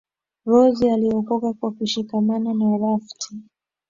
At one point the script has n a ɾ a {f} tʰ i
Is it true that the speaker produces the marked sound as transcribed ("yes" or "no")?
yes